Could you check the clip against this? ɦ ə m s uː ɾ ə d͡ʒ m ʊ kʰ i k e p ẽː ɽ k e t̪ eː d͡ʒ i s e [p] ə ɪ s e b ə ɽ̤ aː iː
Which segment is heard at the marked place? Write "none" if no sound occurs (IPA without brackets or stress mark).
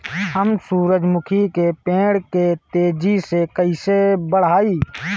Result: k